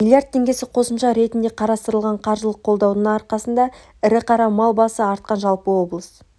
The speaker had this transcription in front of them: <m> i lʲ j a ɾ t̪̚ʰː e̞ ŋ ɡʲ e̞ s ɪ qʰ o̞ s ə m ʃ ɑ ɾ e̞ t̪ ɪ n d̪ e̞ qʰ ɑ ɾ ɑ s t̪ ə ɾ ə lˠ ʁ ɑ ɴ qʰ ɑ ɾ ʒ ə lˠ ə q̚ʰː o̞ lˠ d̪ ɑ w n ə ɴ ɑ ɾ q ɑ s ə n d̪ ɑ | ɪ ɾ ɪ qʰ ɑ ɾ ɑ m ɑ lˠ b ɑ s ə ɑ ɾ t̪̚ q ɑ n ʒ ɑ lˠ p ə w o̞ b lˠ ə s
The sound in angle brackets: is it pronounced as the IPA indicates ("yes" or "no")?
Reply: yes